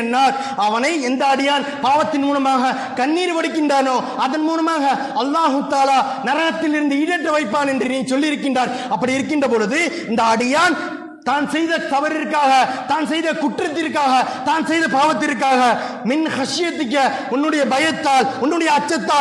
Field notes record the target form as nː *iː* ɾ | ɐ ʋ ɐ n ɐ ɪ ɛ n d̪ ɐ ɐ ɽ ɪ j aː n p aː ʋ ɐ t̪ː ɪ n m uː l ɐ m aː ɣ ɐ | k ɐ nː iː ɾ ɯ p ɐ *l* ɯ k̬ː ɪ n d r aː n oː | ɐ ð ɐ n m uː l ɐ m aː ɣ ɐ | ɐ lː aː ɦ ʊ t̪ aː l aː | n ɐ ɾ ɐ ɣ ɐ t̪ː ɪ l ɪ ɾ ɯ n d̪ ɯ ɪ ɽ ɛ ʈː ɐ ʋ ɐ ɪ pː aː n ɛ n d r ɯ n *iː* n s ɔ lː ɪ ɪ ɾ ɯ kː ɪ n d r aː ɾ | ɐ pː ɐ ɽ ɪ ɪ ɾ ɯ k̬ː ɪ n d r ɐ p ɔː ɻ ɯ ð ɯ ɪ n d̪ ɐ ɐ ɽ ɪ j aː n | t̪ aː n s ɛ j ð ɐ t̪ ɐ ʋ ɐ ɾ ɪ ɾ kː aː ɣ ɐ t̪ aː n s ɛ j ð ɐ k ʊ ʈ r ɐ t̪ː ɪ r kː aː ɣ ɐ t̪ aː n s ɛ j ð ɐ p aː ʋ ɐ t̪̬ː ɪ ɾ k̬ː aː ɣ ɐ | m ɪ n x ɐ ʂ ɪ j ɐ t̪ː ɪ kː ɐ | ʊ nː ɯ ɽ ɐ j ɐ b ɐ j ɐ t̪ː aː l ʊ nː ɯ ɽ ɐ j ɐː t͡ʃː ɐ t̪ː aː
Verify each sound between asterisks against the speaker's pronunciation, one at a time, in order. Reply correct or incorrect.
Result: incorrect, incorrect, correct

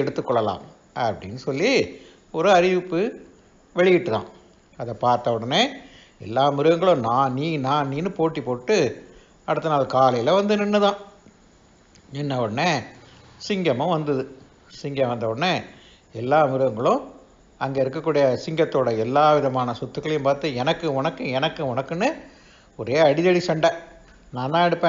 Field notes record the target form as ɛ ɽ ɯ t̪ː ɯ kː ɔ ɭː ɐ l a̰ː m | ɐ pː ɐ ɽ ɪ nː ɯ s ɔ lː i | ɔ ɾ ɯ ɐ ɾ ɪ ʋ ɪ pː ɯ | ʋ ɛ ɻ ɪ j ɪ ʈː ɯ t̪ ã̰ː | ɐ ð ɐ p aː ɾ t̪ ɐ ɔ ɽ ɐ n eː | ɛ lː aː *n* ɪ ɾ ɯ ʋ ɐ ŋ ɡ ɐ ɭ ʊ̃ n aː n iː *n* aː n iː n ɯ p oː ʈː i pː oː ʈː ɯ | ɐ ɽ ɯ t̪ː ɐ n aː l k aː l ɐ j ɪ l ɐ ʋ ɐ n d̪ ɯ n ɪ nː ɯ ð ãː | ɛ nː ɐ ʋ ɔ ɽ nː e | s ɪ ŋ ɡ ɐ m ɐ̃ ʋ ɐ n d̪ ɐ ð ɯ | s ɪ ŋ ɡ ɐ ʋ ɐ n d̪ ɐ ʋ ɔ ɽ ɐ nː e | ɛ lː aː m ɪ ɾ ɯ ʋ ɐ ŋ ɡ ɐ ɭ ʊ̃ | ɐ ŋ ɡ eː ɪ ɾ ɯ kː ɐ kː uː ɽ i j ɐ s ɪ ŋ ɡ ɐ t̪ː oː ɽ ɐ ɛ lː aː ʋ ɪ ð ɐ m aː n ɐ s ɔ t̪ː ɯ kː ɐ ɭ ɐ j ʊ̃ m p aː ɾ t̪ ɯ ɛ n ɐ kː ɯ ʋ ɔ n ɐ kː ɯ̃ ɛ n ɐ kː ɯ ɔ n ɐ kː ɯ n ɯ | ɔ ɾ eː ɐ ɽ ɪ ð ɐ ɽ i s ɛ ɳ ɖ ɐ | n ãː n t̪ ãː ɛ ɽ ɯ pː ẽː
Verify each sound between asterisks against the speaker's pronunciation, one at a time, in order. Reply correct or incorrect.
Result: incorrect, correct

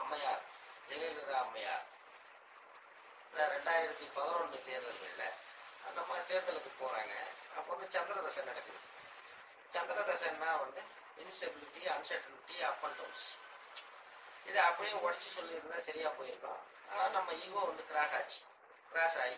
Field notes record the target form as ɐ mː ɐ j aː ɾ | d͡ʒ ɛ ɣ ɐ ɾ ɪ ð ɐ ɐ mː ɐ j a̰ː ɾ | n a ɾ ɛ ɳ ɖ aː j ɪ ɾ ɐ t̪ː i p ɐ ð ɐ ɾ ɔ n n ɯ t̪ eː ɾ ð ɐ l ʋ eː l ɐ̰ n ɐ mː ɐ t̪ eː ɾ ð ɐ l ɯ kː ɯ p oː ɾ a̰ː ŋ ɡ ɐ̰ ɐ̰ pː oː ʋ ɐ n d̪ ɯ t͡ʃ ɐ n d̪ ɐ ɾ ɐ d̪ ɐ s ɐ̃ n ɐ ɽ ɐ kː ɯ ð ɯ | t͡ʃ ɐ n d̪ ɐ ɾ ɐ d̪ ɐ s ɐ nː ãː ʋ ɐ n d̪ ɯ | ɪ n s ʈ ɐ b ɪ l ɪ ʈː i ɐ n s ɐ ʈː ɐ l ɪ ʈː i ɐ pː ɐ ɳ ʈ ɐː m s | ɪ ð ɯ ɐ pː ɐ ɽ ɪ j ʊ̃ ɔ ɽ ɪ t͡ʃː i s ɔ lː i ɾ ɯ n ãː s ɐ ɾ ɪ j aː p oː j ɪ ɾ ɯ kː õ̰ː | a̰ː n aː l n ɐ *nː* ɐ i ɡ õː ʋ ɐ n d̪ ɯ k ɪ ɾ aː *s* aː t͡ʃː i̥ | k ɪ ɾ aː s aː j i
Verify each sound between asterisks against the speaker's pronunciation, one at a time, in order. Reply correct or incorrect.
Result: incorrect, correct

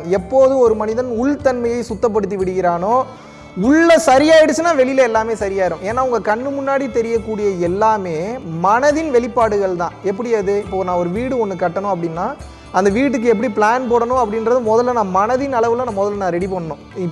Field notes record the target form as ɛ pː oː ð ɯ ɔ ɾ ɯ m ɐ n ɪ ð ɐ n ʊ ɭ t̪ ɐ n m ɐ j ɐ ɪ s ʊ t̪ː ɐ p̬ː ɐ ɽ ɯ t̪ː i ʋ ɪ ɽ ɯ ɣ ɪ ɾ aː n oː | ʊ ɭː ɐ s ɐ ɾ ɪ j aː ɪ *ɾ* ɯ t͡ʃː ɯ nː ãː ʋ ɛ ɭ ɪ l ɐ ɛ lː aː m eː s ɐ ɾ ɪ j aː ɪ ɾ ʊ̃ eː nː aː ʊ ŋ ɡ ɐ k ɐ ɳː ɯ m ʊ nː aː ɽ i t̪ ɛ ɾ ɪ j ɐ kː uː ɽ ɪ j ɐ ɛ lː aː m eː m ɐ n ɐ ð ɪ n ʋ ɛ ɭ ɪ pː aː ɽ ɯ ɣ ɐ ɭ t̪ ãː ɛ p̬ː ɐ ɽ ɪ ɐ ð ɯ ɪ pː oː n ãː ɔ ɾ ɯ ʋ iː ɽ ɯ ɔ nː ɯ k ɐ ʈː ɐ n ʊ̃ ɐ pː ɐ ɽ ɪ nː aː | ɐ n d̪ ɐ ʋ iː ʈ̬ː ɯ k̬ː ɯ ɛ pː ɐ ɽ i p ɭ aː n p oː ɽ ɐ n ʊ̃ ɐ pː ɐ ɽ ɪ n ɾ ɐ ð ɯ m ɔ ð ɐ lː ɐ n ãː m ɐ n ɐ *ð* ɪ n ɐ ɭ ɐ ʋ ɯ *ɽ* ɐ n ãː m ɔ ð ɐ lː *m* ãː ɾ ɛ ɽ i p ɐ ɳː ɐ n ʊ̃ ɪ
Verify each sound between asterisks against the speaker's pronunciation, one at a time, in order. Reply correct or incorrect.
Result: incorrect, correct, incorrect, incorrect

